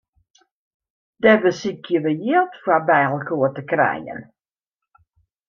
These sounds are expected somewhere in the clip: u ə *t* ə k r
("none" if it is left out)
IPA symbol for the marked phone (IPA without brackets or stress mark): t